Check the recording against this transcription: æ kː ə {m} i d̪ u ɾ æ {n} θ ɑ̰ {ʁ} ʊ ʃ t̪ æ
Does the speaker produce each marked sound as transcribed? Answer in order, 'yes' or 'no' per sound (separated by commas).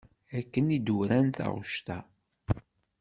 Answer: no, yes, yes